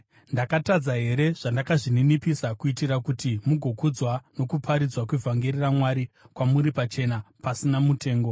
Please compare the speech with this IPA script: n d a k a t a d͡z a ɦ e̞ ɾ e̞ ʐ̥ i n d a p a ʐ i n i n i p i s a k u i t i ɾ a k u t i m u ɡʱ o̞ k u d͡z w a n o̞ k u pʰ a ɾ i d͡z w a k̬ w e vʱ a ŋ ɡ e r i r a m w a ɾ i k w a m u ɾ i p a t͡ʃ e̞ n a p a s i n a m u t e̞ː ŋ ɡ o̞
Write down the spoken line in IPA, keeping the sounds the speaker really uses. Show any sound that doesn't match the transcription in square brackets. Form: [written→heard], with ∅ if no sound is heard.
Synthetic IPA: n d a k a t a d͡z a ɦ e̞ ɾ e̞ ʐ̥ [i→a] n d a [p→k] a ʐ i n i n i p i s a k u i t i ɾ a k u t i m u ɡʱ o̞ k u d͡z w a n o̞ k u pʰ a ɾ i d͡z w a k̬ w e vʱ a ŋ ɡ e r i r a m w a ɾ i k w a m u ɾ i p a t͡ʃ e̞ n a p a s i n a m u t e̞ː ŋ ɡ o̞